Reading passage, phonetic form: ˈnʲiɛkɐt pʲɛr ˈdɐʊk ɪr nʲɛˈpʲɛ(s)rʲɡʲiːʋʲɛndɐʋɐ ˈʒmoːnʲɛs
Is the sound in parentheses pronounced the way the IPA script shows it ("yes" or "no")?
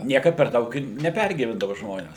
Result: no